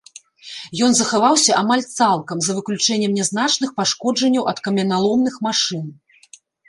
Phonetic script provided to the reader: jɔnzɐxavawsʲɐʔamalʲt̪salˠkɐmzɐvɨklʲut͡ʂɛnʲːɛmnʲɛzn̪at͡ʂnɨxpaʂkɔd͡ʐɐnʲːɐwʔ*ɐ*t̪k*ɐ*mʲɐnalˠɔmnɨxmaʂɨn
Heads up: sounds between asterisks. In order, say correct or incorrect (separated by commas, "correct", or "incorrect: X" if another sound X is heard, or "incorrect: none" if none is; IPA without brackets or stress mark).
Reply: correct, correct